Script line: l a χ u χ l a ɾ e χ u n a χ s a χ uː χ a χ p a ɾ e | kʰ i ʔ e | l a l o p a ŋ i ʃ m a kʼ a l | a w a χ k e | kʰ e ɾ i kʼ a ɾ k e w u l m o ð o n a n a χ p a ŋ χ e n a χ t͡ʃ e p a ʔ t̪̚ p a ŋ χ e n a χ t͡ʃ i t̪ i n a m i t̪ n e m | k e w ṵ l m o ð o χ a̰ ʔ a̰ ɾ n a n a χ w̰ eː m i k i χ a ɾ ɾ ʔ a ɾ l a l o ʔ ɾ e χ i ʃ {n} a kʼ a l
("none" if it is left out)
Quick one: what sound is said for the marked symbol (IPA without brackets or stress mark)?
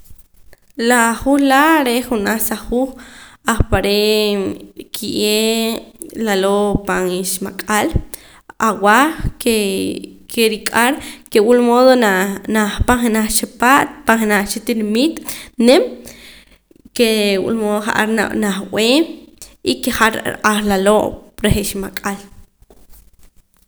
m